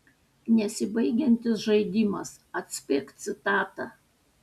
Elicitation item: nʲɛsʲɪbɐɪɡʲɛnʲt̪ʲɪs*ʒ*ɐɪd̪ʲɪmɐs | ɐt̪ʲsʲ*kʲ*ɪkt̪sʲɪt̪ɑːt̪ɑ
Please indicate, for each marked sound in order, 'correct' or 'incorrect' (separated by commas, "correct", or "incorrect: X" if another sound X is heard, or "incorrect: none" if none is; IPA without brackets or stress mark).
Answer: correct, incorrect: pʲ